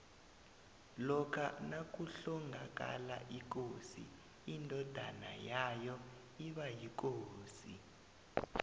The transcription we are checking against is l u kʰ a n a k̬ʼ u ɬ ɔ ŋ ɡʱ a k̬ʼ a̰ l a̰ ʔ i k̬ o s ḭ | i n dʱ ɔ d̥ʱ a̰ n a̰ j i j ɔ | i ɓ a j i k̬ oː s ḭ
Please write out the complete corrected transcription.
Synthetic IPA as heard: l ɔ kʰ a n a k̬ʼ u ɬ ɔ ŋ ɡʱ a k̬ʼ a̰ l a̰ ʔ i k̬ o s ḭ | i n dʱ ɔ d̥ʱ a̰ n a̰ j a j ɔ | i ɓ a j i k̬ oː s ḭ